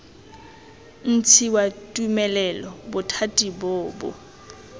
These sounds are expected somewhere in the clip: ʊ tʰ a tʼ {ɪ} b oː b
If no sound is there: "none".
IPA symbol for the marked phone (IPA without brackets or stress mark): i